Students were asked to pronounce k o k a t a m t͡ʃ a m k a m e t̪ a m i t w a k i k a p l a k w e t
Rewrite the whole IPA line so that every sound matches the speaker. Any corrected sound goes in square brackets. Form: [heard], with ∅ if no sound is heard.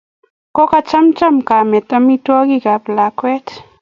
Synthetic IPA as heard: k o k a [t͡ʃ] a m t͡ʃ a m k a m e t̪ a m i t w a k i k a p l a k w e t